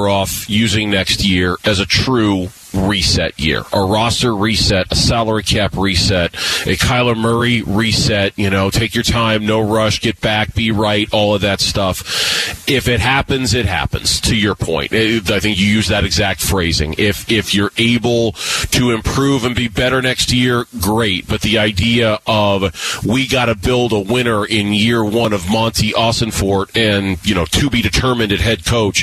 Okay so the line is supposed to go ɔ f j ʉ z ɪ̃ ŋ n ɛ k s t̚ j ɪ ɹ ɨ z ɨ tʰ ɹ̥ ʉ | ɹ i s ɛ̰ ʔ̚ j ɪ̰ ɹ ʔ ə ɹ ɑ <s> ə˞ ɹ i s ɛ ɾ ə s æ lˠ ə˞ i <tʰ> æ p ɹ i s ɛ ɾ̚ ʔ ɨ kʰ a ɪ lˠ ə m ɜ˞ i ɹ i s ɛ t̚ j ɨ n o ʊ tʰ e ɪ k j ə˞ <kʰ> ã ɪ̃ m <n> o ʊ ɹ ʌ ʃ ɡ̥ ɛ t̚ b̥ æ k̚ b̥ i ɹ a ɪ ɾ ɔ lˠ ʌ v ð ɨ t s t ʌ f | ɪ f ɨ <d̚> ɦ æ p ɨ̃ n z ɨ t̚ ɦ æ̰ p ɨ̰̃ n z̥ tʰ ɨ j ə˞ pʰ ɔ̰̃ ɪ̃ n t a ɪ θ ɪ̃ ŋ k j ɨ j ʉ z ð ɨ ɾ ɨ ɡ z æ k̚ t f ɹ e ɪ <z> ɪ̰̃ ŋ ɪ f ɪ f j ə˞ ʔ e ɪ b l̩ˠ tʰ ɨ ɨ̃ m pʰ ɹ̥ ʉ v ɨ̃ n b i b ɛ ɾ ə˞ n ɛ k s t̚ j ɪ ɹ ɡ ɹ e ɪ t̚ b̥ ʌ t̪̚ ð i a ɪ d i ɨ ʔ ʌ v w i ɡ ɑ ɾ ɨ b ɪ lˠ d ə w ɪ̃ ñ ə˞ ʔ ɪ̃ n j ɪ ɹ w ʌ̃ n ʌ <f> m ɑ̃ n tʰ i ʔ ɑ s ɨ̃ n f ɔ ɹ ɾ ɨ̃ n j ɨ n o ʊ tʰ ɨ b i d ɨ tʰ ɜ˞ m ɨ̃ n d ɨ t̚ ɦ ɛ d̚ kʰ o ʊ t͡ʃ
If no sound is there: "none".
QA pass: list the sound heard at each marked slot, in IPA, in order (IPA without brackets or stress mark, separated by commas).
s, kʰ, tʰ, n, t̚, z, v